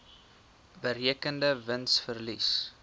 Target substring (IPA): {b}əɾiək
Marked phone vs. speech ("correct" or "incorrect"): correct